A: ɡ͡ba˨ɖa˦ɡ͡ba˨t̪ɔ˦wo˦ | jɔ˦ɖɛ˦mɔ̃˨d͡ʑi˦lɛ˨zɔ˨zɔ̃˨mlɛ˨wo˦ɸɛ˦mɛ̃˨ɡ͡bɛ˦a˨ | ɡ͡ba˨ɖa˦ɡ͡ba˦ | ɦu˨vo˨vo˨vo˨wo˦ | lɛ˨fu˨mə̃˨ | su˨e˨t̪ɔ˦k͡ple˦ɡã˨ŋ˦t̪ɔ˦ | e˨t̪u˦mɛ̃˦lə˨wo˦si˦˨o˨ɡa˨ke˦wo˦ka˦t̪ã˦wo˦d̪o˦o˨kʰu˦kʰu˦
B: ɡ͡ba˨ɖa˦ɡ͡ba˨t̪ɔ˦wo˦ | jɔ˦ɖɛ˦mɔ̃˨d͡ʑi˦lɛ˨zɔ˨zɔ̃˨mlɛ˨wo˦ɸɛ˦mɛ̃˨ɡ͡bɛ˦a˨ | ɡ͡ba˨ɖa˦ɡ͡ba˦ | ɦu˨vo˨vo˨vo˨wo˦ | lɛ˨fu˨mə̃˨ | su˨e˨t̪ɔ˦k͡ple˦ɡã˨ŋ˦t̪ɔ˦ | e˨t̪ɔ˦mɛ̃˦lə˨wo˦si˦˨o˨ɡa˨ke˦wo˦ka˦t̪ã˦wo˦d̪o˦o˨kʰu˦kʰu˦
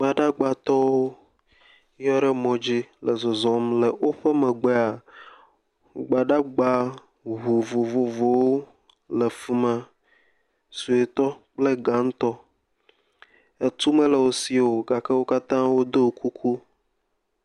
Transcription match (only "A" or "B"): A